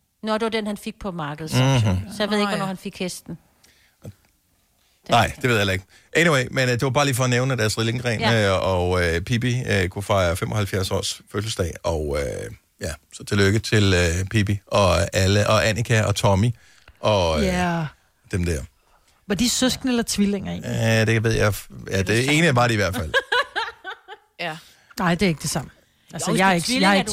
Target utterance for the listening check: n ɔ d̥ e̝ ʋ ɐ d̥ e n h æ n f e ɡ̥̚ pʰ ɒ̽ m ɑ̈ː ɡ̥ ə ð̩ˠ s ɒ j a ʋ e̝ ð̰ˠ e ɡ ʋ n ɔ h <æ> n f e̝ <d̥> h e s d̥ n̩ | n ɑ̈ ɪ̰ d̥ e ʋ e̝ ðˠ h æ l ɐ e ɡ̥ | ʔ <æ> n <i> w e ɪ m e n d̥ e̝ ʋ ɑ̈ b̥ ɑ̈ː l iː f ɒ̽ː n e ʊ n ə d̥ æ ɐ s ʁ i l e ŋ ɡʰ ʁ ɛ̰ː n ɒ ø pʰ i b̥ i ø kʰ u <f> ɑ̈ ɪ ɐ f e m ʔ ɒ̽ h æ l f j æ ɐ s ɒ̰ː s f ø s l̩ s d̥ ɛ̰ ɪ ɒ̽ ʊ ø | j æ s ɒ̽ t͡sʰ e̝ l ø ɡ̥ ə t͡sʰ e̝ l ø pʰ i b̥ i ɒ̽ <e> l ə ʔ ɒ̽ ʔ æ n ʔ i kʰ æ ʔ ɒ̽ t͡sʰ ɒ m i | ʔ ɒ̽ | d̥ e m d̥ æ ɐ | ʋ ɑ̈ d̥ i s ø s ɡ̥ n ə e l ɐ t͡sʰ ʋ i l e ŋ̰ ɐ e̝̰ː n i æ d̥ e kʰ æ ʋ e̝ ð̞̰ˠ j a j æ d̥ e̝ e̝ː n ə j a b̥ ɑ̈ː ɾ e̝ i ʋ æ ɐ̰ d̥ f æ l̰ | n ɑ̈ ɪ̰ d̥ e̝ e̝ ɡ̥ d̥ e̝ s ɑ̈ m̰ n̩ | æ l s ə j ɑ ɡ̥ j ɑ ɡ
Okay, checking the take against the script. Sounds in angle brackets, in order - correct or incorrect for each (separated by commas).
correct, incorrect, incorrect, correct, correct, incorrect